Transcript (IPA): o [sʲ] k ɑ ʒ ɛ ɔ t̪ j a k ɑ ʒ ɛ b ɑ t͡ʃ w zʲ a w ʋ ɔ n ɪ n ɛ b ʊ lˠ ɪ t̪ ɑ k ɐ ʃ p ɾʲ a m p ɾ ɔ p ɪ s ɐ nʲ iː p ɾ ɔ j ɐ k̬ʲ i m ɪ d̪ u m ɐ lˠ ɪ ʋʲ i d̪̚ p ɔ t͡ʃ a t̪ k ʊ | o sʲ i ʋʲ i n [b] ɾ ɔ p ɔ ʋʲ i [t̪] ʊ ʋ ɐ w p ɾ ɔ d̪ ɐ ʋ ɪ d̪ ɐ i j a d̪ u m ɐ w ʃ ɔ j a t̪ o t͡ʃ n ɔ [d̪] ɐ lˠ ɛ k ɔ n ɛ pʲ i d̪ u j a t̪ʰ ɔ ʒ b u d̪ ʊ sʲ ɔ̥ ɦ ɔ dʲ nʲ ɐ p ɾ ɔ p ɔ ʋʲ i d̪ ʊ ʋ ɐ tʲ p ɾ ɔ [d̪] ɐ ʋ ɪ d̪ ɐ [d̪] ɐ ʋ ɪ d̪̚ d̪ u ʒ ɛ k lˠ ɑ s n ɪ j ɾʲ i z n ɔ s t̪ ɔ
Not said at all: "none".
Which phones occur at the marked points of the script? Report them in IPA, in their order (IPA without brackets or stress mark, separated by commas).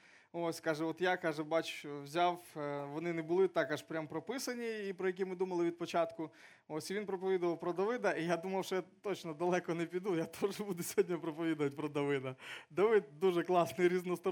sʲ, p, d̪, d̪, d̪, d̪